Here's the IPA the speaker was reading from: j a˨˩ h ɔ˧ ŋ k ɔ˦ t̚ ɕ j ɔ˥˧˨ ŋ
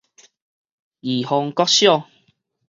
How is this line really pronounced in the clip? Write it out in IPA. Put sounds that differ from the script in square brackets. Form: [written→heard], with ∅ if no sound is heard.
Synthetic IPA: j [a˨˩→i˨˩] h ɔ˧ ŋ k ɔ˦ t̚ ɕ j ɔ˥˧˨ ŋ